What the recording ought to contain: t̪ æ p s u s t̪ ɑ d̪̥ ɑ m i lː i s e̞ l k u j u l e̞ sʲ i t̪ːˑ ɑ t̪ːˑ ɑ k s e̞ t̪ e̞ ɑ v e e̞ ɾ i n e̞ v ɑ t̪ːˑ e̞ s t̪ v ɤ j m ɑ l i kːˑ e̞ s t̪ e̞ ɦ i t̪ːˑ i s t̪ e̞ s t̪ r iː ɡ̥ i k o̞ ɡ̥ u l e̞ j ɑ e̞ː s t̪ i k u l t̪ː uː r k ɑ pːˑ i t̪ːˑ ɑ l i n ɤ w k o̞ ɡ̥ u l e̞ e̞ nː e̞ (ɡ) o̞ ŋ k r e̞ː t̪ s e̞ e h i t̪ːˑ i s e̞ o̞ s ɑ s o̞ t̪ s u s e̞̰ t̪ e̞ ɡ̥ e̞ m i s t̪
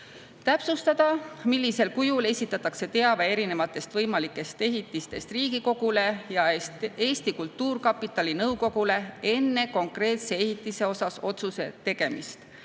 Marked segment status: incorrect: k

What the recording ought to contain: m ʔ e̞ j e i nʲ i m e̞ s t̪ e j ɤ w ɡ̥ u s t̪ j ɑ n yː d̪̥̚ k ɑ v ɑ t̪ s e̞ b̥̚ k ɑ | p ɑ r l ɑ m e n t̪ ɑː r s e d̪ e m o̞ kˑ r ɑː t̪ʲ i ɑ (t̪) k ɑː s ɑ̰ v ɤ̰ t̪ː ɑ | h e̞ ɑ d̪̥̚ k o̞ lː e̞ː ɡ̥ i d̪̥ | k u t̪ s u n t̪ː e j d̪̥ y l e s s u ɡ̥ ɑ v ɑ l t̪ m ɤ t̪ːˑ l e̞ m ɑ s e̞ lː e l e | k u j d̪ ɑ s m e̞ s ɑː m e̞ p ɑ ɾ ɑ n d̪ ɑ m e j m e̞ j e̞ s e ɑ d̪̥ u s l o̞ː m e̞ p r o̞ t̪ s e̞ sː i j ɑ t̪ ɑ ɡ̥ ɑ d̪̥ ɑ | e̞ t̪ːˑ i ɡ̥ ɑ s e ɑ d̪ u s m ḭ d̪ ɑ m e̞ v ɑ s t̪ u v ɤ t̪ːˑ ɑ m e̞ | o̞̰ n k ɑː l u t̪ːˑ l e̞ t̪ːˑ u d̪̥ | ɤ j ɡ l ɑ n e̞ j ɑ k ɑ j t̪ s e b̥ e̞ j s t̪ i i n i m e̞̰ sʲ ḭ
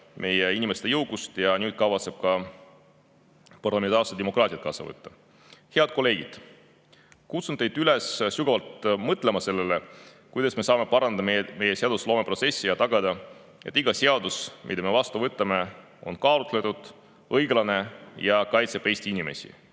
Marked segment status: correct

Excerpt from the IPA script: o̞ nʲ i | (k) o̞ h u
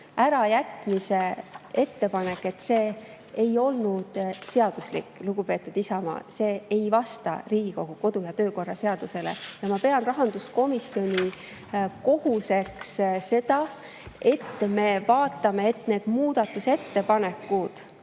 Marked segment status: correct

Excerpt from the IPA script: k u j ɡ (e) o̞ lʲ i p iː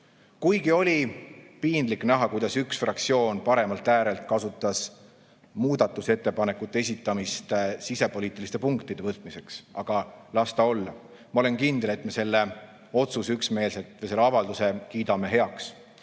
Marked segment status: incorrect: i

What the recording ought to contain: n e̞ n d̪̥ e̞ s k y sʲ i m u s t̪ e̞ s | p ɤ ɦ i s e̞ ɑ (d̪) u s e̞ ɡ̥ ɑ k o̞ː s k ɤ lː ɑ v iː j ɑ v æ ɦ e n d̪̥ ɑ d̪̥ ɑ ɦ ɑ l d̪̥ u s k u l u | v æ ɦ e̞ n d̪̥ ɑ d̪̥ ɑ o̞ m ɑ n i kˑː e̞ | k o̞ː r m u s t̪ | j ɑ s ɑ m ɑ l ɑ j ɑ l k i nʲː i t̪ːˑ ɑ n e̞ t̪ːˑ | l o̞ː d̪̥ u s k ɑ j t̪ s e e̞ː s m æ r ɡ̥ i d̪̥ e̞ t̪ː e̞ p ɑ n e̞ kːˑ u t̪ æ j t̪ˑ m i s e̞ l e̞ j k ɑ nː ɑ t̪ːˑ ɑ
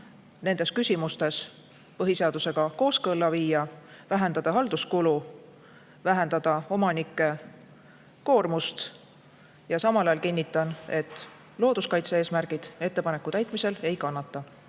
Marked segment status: correct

